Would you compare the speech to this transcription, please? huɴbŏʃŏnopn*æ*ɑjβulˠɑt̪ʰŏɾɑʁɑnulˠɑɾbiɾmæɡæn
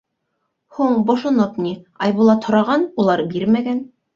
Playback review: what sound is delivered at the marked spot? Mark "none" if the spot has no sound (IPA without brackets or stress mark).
i